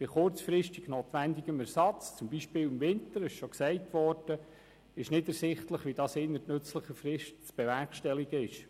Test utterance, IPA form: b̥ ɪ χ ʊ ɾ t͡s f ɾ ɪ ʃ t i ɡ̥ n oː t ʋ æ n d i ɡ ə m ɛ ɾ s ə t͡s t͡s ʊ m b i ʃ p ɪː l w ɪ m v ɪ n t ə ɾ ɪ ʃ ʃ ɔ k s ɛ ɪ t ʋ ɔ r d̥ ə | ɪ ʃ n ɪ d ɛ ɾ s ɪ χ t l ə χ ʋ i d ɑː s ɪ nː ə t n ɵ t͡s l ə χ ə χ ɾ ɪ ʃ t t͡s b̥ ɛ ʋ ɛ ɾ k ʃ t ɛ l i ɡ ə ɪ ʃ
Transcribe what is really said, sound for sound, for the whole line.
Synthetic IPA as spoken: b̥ ɪ χ ʊ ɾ t͡s f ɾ ɪ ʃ t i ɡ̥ n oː t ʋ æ n d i ɡ ə m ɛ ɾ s ɑ t͡s t͡s ʊ m b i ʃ p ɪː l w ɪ m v ɪ n t ə ɾ ɪ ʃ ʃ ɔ k s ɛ ɪ t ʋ ɔ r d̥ ə | ɪ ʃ n ɪ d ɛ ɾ s ɪ χ t l ə χ ʋ i d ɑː s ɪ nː ə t n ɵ t͡s l ə χ ə f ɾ ɪ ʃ t t͡s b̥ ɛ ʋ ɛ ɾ k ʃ t ɛ l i ɡ ə ɪ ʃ